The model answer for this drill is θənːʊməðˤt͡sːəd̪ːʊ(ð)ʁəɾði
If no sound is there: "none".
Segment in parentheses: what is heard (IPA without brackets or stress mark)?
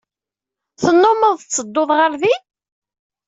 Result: ð